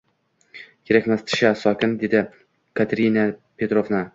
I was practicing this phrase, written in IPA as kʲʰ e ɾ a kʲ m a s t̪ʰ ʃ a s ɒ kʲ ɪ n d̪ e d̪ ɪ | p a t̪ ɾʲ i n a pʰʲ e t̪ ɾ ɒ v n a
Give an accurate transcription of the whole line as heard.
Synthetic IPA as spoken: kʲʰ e ɾ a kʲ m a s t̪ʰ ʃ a s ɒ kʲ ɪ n d̪ e d̪ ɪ | k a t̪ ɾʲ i n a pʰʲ e t̪ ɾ o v n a

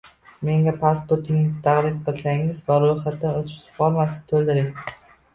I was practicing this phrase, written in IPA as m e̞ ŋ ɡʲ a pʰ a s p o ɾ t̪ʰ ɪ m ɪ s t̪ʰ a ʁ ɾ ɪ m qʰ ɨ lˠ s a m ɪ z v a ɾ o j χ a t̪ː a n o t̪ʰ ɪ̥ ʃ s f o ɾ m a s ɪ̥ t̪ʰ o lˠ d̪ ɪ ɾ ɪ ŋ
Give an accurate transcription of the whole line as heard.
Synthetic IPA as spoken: m e̞ ŋ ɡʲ a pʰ a s p o ɾ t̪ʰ ɪ ŋ ɪ z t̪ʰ a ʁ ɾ ɪ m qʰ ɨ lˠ s a ŋ ɪ z v a ɾ o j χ a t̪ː a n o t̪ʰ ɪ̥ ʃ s f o ɾ m a s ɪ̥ t̪ʰ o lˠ d̪ ɪ ɾ ɪ ŋ

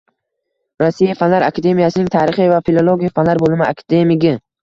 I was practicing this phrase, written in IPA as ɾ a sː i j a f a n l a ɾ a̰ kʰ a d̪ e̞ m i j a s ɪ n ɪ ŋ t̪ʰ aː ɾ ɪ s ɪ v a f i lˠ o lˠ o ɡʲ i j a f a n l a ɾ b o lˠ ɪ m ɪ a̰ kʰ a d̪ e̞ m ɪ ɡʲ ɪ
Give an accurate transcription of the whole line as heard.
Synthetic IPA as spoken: ɾ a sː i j a f a n l a ɾ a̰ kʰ a d̪ e̞ m i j a s ɪ n ɪ ŋ t̪ʰ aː ɾ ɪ χ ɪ v a f i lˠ o lˠ o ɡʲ i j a f a n l a ɾ b o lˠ ɪ m ɪ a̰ kʰ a d̪ e̞ m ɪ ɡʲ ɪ

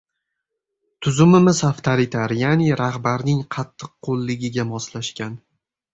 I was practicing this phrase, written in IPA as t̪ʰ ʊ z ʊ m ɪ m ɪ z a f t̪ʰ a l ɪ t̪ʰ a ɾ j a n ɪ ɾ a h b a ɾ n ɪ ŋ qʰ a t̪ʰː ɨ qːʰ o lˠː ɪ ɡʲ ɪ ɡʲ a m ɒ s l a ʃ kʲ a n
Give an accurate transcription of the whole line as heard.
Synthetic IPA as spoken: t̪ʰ ʊ z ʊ m ɪ m ɪ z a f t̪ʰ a ɾ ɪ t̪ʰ a ɾ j a n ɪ ɾ a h b a ɾ n ɪ ŋ qʰ ɑ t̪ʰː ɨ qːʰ o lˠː ɪ ɡʲ ɪ ɡʲ a m ɒ s l a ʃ kʲ a n

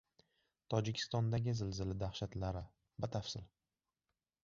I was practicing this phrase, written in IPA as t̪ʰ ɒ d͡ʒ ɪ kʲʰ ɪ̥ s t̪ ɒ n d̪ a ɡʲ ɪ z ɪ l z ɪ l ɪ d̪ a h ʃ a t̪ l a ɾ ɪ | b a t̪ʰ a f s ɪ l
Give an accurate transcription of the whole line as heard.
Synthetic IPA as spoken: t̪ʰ ɒ d͡ʒ ɪ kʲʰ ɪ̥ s t̪ ɒ n d̪ a ɡʲ ɪ z ɪ l z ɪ l ɪ d̪ a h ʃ a t̪ l a ɾ ɪ | b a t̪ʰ a f s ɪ l

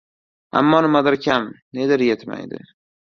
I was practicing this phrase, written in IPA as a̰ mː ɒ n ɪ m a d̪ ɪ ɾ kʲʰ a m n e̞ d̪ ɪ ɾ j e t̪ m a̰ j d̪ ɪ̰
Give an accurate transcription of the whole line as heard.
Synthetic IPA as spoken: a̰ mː ɒ n ɪ m a d̪ ɪ ɾ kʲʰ a m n e̞ d̪ ɪ ɾ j e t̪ m a̰ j d̪ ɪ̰

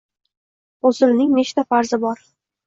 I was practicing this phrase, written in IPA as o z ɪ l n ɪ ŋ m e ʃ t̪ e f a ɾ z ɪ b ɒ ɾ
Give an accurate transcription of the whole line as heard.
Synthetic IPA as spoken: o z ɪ l n ɪ ŋ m e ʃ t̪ a f a ɾ z ɪ b ɒ ɾ

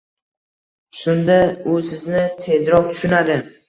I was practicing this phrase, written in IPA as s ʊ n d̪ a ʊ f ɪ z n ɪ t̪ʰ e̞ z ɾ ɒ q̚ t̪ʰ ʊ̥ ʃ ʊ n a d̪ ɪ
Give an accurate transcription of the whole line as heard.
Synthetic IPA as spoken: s ʊ n d̪ a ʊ s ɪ z n ɪ t̪ʰ e̞ z ɾ ɒ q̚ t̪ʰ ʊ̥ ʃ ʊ n a d̪ ɪ

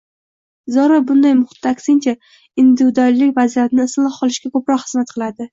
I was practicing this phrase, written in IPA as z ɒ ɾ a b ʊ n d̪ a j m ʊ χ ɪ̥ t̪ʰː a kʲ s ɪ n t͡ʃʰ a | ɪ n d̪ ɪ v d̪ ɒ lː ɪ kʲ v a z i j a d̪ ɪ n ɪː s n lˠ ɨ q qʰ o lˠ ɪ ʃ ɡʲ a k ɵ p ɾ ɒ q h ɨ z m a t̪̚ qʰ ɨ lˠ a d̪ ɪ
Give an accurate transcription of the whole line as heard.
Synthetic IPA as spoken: z ɒ ɾ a b ʊ n d̪ a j m ʊ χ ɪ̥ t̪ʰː a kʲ s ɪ n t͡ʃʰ a | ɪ n d̪ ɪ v d̪ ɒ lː ɪ kʲ v a z i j a t̪ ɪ n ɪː s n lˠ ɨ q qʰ ɒ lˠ ɪ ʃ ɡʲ a k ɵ p ɾ ɒ q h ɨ z m a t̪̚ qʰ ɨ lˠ a d̪ ɪ

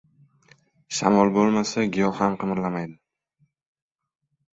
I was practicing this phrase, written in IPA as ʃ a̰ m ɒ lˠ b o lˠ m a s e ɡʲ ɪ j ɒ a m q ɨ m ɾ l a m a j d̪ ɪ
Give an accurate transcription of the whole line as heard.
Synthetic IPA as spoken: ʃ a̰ m ɒ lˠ b o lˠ m a s a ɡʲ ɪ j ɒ a m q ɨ m ɾ l a m a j d̪ ɪ

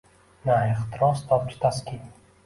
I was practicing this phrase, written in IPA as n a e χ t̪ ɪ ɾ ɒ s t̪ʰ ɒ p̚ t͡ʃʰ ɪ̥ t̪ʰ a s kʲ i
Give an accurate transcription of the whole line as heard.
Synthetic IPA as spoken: n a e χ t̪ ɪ ɾ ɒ s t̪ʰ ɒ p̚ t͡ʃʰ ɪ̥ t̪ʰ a s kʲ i

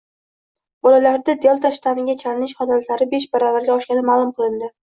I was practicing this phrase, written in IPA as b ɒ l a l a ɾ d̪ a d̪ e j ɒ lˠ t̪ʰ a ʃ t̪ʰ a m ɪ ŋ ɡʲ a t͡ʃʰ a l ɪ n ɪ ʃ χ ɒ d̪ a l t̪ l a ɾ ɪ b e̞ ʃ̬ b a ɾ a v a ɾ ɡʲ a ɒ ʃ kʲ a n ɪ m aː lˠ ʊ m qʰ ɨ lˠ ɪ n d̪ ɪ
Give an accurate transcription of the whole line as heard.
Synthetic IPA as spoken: b ɒ l a l a ɾ d̪ a d̪ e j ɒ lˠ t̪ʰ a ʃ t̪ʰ a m ɪ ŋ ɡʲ a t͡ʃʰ a l ɪ n ɪ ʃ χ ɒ d̪ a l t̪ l a ɾ ɪ b e̞ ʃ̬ b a ɾ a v a ɾ ɡʲ a ɒ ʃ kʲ a n ɪ m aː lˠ ʊ m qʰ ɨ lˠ ɪ n d̪ ɪ

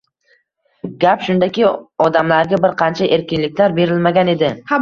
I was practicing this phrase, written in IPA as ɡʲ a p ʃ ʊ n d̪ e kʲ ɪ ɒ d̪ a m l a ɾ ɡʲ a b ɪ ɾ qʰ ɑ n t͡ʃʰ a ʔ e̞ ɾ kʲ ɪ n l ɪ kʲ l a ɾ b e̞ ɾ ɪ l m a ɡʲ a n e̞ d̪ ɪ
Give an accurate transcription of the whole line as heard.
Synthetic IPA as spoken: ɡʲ a p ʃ ʊ n d̪ a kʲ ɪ ɒ d̪ a m l a ɾ ɡʲ a b ɪ ɾ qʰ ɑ n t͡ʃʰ a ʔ e̞ ɾ kʲ ɪ n l ɪ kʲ l a ɾ b e̞ ɾ ɪ l m a ɡʲ a n e̞ d̪ ɪ

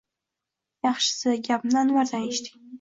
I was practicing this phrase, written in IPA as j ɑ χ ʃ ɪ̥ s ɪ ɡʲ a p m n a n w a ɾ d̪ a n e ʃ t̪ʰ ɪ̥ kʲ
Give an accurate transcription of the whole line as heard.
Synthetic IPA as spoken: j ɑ χ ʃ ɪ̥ s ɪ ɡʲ a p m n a n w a ɾ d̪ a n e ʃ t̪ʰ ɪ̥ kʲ

